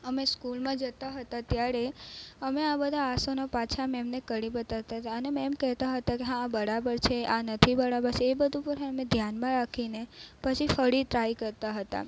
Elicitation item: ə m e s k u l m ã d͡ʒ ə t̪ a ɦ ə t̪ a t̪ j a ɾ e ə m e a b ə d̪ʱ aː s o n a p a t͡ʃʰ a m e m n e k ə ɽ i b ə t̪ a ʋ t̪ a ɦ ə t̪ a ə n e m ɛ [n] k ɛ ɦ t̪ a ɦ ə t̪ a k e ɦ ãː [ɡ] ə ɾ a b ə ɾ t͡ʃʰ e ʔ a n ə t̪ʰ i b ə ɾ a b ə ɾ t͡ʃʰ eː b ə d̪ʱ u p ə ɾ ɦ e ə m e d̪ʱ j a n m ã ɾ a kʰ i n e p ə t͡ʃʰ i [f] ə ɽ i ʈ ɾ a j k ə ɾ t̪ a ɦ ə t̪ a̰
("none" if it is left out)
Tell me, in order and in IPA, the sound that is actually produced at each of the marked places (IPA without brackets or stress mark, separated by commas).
m, b, f